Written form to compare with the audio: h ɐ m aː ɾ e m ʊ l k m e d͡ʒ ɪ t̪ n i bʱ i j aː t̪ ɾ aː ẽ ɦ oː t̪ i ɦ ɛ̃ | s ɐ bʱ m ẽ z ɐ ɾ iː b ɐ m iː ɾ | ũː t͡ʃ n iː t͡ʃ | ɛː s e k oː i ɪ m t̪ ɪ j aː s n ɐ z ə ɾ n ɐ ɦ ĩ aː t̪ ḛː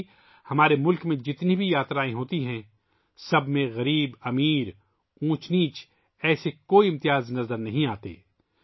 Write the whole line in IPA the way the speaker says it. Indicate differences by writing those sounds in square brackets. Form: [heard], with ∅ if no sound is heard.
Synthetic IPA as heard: h ɐ m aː ɾ e m ʊ l k m [ẽ] d͡ʒ ɪ t̪ n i bʱ i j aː t̪ ɾ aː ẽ ɦ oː t̪ i ɦ ɛ̃ | s ɐ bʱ m ẽ [ɣ] ɐ ɾ iː b ɐ m iː ɾ | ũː t͡ʃ n iː t͡ʃ | ɛː s e k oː i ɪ m t̪ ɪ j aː [z] n ɐ z ə ɾ n ɐ ɦ ĩ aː t̪ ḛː